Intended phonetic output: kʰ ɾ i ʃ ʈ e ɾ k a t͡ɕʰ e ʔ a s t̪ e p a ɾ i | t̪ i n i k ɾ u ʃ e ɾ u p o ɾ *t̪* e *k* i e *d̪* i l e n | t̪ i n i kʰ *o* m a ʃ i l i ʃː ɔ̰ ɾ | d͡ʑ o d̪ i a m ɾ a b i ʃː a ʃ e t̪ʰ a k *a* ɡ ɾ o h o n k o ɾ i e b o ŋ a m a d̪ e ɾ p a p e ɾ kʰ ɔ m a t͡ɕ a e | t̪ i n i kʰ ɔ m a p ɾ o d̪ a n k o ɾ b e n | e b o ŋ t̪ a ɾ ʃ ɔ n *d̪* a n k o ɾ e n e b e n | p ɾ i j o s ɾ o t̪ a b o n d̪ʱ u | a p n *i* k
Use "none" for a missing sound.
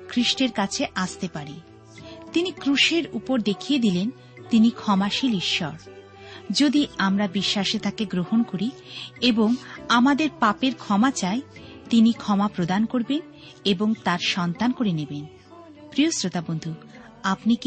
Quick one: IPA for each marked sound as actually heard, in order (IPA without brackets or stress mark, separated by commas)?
d̪, kʰ, d̪, ɔ, e, t̪, i